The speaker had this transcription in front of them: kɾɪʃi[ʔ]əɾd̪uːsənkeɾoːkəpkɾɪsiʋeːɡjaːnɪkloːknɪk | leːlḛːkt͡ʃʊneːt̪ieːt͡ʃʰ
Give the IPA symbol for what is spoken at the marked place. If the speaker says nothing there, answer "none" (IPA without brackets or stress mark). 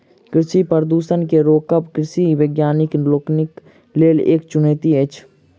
p